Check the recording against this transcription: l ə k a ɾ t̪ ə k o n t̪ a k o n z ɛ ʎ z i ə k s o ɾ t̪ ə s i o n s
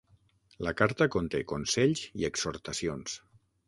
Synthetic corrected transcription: l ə k a ɾ t̪ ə k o n t̪ e k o n s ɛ ʎ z i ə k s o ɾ t̪ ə s i o n s